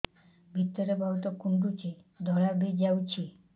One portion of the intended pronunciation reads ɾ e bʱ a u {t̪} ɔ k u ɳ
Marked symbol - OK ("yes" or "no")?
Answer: yes